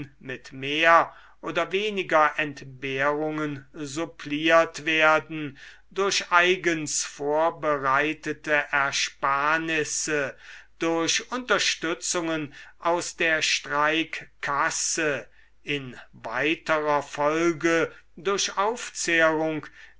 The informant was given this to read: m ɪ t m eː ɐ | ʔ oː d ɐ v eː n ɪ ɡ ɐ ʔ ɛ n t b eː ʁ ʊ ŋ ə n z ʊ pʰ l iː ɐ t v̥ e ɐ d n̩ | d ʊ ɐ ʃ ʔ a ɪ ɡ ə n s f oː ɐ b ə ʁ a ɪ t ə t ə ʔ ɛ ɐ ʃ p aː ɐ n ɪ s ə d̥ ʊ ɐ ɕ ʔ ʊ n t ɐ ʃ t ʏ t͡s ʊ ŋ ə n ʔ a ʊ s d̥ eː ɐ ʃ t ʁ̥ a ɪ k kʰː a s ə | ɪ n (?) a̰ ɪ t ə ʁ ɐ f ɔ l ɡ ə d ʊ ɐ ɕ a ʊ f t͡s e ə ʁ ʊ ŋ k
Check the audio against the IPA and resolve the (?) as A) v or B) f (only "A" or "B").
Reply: A